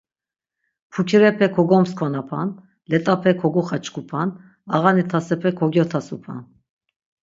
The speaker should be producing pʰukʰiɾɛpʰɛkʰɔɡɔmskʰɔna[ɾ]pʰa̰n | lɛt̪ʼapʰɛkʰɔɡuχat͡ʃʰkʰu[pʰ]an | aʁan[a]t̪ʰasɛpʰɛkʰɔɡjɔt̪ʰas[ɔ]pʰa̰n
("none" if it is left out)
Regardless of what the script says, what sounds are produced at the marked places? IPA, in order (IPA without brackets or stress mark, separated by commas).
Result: none, pʰ, i, u